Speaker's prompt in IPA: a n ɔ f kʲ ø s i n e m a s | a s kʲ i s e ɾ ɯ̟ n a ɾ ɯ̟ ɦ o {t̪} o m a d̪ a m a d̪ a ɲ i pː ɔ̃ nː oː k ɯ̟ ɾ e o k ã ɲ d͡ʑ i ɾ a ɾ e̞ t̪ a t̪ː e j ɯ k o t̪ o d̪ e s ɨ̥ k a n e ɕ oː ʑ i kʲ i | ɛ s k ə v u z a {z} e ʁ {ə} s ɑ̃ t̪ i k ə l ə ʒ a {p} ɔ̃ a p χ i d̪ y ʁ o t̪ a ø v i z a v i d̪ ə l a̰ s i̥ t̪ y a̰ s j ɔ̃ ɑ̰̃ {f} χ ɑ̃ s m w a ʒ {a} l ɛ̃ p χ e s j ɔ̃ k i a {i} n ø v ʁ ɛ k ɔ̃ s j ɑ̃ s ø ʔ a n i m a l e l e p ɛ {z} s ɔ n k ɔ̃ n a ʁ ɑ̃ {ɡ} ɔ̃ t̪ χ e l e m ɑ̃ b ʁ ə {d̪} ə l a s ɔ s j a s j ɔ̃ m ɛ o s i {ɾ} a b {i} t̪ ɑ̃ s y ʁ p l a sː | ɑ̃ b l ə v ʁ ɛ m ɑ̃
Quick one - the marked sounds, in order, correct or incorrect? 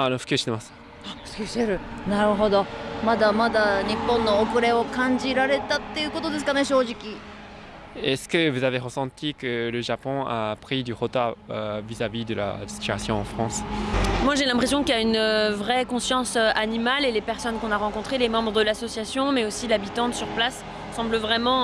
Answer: incorrect: d̪, incorrect: v, correct, correct, correct, incorrect: e, incorrect: y, incorrect: ʁ, incorrect: k, correct, incorrect: l, correct

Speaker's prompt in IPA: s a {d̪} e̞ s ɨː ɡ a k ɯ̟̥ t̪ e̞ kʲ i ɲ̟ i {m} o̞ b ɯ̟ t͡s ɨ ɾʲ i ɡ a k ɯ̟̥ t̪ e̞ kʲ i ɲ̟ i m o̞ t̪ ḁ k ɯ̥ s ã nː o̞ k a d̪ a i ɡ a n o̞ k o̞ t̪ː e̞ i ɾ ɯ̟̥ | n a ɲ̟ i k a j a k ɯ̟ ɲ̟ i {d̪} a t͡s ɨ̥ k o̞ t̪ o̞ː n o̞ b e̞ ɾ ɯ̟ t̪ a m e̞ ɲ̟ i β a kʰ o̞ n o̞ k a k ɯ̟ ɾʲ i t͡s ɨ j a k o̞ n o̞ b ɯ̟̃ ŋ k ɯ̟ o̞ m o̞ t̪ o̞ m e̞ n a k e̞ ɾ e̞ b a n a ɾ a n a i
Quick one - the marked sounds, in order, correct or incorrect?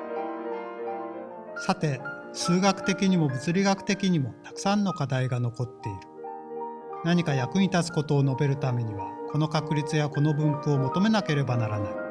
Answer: incorrect: t̪, correct, incorrect: t̪

